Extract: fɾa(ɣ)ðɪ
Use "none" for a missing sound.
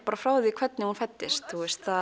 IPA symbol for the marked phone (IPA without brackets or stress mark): w